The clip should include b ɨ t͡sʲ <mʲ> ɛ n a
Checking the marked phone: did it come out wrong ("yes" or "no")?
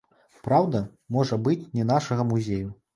yes